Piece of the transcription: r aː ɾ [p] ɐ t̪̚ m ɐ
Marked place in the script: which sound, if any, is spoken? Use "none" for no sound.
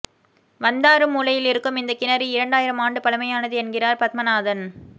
p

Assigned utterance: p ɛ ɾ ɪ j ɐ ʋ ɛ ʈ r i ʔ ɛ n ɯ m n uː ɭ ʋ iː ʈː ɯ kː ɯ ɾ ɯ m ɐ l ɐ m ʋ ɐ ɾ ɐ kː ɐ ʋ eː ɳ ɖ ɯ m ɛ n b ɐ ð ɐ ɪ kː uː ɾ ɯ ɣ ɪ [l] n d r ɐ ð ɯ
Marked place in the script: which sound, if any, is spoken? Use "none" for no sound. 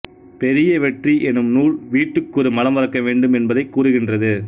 none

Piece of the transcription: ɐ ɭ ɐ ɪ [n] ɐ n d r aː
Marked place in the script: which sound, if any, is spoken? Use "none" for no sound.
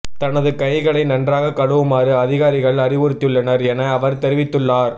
n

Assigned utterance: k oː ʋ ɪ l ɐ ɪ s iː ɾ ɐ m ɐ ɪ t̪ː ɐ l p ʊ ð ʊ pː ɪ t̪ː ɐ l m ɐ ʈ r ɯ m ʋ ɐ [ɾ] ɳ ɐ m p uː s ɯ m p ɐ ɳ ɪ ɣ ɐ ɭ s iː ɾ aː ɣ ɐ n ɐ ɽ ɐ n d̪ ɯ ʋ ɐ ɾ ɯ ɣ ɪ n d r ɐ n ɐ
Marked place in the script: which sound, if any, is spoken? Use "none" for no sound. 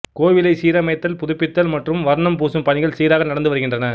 ɾ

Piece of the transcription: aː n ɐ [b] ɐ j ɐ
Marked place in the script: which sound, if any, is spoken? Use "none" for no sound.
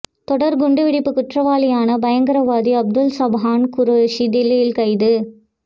b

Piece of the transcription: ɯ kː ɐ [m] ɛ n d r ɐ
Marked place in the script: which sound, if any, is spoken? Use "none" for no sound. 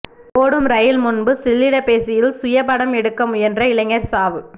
m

